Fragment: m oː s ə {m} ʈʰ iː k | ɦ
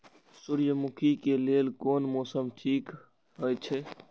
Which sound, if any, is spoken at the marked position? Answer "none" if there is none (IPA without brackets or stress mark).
m